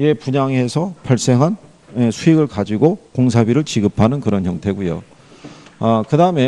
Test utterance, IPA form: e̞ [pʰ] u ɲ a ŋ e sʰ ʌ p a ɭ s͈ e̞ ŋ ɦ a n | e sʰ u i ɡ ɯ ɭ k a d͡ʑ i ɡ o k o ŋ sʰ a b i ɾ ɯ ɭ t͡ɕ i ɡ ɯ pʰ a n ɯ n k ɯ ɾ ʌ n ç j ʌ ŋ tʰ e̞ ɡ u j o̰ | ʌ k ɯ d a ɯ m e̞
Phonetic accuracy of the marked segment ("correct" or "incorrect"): incorrect